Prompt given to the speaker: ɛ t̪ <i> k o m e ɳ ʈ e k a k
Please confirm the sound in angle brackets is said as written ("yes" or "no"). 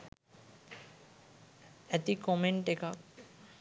yes